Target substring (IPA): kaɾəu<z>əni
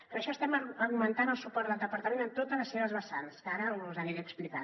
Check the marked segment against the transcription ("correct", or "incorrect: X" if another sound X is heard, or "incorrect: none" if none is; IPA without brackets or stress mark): correct